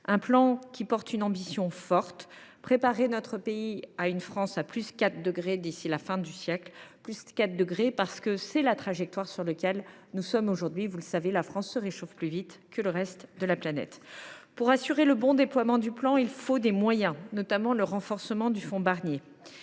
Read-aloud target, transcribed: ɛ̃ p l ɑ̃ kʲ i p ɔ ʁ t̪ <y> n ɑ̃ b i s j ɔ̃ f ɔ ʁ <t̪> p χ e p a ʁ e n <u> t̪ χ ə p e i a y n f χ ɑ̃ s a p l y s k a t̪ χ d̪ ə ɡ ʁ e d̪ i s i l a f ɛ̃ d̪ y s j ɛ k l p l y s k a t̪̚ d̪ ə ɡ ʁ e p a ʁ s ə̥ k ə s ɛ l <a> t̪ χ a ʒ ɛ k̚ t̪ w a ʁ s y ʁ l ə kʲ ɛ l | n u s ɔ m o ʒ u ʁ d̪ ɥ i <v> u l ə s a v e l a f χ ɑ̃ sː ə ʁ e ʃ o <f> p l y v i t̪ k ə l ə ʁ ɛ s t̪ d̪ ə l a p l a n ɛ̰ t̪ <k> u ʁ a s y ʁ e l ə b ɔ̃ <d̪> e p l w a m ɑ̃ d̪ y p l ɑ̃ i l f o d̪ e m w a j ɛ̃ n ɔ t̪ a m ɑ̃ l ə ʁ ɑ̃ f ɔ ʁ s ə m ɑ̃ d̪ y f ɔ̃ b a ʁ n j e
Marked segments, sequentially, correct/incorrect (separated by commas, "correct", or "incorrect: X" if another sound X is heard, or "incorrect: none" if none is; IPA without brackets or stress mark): correct, correct, incorrect: ɔ, correct, correct, correct, incorrect: p, correct